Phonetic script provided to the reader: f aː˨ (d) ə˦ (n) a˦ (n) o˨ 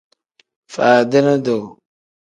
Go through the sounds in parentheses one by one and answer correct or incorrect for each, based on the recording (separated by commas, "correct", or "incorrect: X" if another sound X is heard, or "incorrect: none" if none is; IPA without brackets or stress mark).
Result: correct, correct, incorrect: d